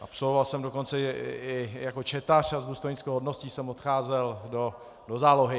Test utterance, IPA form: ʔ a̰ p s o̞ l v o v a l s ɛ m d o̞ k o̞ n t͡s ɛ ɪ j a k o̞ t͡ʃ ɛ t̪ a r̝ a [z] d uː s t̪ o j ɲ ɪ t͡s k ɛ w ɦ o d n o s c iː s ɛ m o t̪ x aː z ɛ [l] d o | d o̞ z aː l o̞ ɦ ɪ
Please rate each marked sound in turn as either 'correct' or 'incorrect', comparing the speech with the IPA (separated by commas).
correct, correct